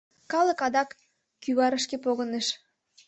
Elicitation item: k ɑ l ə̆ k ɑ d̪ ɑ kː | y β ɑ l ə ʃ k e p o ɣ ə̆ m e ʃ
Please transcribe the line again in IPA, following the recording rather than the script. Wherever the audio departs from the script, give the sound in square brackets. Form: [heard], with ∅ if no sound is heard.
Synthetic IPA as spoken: k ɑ l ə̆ k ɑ d̪ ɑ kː | y β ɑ [ɾ] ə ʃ k e p o ɣ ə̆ [n] e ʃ